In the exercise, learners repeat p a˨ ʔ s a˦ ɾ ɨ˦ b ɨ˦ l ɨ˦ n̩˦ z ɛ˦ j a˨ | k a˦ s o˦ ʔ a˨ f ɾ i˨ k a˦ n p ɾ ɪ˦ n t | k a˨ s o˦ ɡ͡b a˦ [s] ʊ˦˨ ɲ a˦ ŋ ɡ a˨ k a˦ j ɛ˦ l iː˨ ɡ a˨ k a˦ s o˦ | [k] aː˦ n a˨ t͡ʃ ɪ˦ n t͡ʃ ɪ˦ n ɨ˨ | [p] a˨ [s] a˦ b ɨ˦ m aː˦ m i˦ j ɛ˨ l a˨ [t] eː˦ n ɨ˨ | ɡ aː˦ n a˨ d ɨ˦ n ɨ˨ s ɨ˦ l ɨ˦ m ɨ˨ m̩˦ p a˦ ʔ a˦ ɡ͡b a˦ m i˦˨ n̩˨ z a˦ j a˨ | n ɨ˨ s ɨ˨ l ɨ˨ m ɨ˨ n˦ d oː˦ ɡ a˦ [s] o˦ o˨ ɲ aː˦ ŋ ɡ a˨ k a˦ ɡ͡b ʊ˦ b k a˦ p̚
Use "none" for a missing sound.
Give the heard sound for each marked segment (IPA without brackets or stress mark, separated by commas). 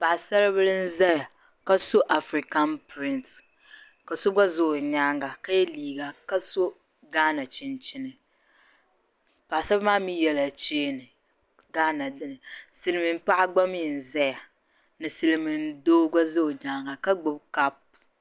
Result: z, ɡ, p, s, t͡ʃ, z